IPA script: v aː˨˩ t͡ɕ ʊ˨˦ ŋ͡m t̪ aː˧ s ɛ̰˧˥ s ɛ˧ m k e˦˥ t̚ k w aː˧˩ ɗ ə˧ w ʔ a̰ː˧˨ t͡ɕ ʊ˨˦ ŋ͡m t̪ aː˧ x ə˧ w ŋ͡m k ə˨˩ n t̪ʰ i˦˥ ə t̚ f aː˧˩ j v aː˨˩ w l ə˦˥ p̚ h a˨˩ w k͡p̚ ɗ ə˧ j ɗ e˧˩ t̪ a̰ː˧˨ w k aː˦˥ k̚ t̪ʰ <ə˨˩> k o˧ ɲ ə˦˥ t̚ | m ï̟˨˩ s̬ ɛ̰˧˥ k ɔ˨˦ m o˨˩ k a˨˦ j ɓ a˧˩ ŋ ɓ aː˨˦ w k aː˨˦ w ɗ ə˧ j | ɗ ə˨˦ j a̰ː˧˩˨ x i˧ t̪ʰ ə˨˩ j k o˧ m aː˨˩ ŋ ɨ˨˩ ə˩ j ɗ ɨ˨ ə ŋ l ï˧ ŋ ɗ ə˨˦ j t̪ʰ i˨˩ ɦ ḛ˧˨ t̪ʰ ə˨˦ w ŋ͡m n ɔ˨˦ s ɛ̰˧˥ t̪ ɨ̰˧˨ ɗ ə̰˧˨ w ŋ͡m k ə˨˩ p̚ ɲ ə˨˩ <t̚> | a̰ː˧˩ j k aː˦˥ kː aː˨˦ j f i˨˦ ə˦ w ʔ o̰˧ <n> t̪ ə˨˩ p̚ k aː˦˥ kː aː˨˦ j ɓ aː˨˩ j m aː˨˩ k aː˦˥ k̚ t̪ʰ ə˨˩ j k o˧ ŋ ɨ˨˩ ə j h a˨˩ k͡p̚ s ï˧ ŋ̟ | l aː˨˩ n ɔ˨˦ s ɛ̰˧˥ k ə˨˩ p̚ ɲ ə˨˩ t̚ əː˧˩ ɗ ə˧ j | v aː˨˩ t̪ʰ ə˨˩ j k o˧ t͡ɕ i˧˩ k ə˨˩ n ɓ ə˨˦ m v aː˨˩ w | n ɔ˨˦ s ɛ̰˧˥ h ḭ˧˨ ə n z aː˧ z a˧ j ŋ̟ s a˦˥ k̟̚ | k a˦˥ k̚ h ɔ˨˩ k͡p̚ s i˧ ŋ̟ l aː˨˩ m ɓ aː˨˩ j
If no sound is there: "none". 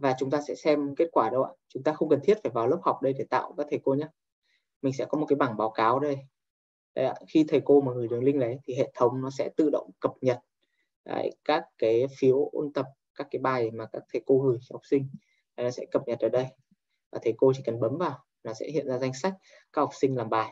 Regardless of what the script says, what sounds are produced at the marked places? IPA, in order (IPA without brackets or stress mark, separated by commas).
ə˨˩, t̚, n